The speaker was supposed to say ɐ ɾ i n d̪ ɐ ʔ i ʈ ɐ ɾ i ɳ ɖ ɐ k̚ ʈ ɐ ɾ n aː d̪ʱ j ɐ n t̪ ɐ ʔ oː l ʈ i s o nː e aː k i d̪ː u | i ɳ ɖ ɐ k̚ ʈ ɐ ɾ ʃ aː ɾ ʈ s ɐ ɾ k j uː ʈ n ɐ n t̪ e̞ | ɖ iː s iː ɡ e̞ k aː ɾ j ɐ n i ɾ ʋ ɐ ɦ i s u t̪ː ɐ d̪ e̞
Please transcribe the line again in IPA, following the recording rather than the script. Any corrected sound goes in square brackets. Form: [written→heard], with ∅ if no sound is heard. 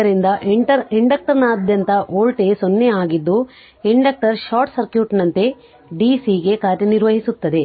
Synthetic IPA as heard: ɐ ɾ i n d̪ ɐ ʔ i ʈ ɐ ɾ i ɳ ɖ ɐ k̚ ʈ ɐ ɾ n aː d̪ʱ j ɐ n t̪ ɐ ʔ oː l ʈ [i→e] s o nː e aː [k→ɡ] i d̪ː u | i ɳ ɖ ɐ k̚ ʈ ɐ ɾ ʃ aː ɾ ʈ s ɐ ɾ k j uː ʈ n ɐ n t̪ e̞ | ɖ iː s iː ɡ e̞ k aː ɾ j ɐ n i ɾ ʋ ɐ ɦ i s u t̪ː ɐ d̪ e̞